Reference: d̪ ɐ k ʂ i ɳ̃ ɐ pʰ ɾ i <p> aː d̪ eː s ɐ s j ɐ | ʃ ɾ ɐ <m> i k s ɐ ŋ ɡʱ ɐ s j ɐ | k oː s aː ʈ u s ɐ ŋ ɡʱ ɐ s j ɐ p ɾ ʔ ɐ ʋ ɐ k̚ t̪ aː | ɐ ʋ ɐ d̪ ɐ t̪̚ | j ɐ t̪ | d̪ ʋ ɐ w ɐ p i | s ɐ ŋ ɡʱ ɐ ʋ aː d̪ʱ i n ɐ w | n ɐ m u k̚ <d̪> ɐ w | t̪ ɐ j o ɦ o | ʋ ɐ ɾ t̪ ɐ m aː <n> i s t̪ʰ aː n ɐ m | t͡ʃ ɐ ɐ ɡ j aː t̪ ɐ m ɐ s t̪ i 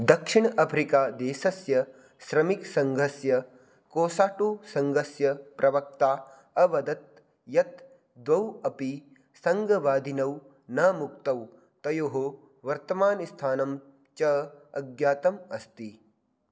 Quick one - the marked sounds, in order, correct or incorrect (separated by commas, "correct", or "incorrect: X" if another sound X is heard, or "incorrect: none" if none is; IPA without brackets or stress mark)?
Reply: incorrect: k, correct, incorrect: t̪, correct